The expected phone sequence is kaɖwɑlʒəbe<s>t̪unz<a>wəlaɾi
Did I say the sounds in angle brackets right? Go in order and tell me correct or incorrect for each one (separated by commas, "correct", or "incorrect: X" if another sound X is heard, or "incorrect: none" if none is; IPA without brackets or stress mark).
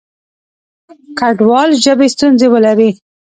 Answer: correct, incorrect: e